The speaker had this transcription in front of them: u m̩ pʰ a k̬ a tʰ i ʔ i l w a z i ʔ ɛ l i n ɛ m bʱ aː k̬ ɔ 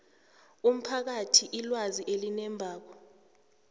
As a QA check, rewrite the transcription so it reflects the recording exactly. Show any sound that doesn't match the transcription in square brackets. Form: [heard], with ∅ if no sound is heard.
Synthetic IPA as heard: u m̩ pʰ a k̬ a tʰ i ʔ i l w a z i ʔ [e] l i n ɛ m bʱ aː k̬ ɔ